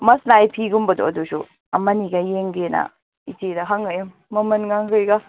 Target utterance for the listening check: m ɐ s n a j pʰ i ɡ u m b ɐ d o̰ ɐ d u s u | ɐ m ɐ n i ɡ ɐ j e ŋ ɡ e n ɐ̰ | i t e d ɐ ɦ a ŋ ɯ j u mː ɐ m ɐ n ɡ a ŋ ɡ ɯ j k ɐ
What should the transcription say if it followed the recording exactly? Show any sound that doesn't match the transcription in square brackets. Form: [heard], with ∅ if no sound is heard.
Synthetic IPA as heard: m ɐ s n a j pʰ i ɡ u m b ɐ d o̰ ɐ d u s u | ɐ m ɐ n i ɡ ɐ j e ŋ ɡ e n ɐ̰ | i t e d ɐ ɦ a ŋ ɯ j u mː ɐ m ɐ n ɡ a ŋ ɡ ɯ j [ɡ] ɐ